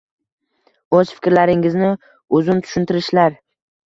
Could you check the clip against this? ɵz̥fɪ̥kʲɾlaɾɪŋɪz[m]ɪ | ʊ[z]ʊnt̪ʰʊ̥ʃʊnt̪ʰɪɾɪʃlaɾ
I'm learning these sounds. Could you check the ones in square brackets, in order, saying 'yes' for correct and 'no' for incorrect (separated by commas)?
no, yes